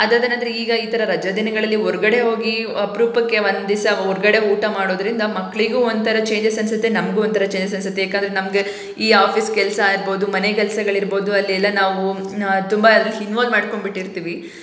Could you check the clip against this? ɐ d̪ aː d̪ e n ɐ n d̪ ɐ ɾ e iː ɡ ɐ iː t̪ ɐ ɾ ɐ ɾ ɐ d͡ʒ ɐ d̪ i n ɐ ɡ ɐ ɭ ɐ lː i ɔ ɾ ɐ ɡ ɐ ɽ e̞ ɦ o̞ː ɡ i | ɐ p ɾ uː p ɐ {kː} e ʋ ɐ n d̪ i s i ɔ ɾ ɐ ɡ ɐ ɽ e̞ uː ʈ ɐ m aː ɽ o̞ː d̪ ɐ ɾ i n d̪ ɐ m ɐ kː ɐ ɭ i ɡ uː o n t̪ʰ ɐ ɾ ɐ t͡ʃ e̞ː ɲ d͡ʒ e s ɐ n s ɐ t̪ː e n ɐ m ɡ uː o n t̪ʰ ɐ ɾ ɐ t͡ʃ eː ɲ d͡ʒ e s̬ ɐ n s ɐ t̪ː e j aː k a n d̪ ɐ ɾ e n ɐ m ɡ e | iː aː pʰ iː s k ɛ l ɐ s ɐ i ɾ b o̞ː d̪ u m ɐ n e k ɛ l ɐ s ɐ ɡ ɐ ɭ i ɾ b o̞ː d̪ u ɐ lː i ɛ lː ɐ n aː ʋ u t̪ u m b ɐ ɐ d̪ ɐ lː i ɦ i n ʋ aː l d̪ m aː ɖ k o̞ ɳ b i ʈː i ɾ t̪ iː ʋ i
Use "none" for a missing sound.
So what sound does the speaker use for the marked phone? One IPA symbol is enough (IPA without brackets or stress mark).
kː